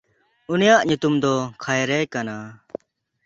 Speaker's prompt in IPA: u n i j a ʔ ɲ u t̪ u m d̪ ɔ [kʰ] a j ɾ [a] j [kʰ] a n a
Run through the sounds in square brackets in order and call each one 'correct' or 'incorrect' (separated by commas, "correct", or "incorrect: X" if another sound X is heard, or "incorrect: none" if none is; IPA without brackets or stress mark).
correct, incorrect: ɛ, incorrect: k